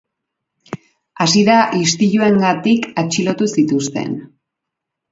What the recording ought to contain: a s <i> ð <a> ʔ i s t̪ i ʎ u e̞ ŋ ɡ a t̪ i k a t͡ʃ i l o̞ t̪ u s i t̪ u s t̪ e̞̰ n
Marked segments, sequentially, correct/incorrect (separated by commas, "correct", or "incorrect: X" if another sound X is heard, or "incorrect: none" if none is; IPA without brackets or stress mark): correct, correct